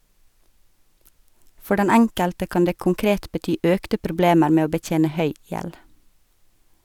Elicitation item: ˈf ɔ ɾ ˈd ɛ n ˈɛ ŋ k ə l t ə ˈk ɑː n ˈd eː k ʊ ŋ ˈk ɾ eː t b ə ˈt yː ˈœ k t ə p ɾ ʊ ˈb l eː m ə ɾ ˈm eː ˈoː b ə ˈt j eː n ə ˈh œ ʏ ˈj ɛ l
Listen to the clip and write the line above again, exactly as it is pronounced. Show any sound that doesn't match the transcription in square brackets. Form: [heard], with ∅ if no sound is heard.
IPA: ˈf ɔ ɾ ˈd ɛ n ˈɛ ŋ k ə l t ə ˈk ɑː n ˈd eː k ʊ ŋ ˈk ɾ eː t b ə ˈt yː ˈœ k t ə p ɾ ʊ ˈb l eː m ə ɾ ˈm eː ˈoː b ə ˈt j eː n ə ˈh œ ʏ ˈj ɛ l

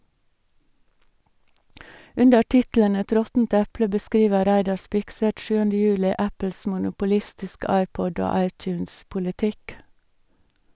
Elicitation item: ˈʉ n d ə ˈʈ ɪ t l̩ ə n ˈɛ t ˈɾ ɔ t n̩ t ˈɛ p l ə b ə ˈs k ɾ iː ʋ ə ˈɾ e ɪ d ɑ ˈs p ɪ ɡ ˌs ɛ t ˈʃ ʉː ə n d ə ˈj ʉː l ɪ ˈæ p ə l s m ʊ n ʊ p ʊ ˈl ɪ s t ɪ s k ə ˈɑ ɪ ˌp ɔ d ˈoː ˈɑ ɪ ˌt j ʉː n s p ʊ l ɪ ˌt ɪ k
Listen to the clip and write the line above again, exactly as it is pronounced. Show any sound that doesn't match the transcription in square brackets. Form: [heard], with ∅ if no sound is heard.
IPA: ˈʉ n d ə ˈʈ ɪ t l̩ ə n ˈɛ t ˈɾ ɔ t n̩ t ˈɛ p l ə b ə ˈs k ɾ iː ʋ ə ˈɾ [æ] ɪ d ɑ ˈs p ɪ [k] ˌs ɛ t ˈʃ ʉː ə n d ə ˈj ʉː l ɪ ˈæ p ə l s m ʊ n ʊ p ʊ ˈl ɪ s t ɪ s k ə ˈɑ ɪ ˌp ɔ d ˈoː ˈɑ ɪ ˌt j ʉː n s p ʊ l ɪ ˌt ɪ k

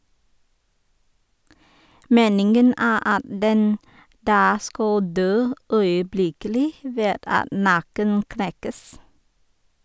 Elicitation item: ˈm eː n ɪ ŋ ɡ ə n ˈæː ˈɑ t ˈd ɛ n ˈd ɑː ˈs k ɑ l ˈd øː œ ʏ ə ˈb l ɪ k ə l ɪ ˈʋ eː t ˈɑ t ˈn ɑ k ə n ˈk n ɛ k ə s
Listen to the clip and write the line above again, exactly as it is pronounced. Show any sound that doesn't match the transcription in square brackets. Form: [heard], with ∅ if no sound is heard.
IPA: ˈm eː n ɪ ŋ ɡ ə n ˈæː ˈɑ t ˈd ɛ n ˈd ɑː ˈs k ɑ l ˈd øː œ ʏ ə ˈb l ɪ k ə l ɪ ˈʋ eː [d] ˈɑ t ˈn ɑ k ə n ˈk n ɛ k ə s

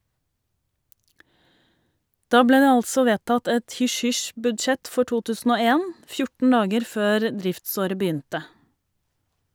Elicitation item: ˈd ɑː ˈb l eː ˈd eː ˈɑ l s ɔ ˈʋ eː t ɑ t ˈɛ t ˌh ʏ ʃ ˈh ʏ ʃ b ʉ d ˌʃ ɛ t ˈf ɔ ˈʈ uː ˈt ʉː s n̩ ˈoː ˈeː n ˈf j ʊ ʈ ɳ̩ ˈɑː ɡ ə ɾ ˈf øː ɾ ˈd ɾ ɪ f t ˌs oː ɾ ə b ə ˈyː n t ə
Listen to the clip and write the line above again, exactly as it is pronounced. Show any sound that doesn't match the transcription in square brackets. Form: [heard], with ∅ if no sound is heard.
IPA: ˈd ɑː ˈb l eː ˈd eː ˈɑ l s ɔ ˈʋ eː t ɑ t ˈɛ t ˌh ʏ ʃ ˈh ʏ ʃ b ʉ d ˌʃ ɛ t ˈf ɔ ˈʈ uː ˈt ʉː s n̩ ˈoː ˈeː n ˈf j ʊ ʈ ɳ̩ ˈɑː ɡ ə ɾ ˈf øː ɾ ˈd ɾ ɪ f t ˌs oː ɾ ə b ə ˈyː n t ə

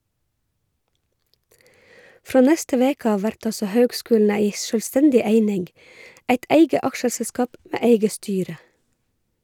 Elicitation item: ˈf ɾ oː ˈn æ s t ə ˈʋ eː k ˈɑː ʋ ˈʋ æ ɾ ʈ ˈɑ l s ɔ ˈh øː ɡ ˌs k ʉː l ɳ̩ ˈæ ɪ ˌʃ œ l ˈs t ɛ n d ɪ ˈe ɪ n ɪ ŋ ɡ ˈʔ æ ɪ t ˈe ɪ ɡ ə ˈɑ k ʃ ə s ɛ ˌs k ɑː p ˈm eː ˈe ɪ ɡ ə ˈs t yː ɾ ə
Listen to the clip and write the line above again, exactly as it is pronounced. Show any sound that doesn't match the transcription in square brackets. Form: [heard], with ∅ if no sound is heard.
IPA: ˈf ɾ oː ˈn [ɛ] s t ə ˈʋ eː k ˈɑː ʋ ˈʋ æ ɾ ʈ ˈɑ l s ɔ ˈh øː ɡ ˌs k ʉː l [n̩] ˈæ ɪ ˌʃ œ l ˈs t ɛ n d ɪ ˈe ɪ n ɪ ŋ ɡ ˈʔ æ ɪ t ˈe ɪ ɡ ə ˈɑ k ʃ ə s ɛ ˌs k ɑː p ˈm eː ˈe ɪ ɡ ə ˈs t yː ɾ ə

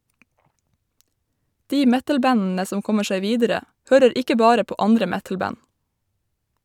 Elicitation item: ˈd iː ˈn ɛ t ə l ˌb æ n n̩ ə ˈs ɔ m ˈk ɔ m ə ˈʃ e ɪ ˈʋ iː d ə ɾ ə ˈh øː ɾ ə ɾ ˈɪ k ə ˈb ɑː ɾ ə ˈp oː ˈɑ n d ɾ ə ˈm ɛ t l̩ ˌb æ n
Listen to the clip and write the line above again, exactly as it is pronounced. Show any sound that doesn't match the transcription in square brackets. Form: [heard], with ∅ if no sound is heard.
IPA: ˈd iː [ˈm] ɛ t ə l ˌb æ n n̩ ə ˈs ɔ m ˈk ɔ m ə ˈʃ e ɪ ˈʋ iː d ə ɾ ə ˈh øː ɾ ə ɾ ˈɪ k ə ˈb ɑː ɾ ə ˈp oː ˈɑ n d ɾ ə ˈm ɛ t l̩ ˌb æ n

